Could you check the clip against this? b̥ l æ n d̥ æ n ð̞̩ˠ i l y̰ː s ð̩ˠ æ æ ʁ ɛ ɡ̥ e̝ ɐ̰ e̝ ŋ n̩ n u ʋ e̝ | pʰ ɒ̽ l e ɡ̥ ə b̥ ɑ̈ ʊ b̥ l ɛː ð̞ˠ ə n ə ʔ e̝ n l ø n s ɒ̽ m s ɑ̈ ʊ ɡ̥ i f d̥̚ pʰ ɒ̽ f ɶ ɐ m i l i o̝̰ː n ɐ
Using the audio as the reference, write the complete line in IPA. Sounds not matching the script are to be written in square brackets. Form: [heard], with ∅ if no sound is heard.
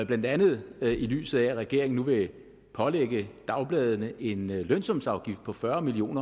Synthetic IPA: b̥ l æ n d̥ æ n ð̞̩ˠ i l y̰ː s ð̩ˠ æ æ ʁ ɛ ɡ̥ e̝ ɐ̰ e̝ ŋ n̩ n u ʋ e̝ | pʰ ɒ̽ l e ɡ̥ ə [d̥] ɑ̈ ʊ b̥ l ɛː ð̞ˠ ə n ə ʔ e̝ n l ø n s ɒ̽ m s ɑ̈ ʊ ɡ̥ i f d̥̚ pʰ ɒ̽ f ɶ ɐ m i l i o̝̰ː n ɐ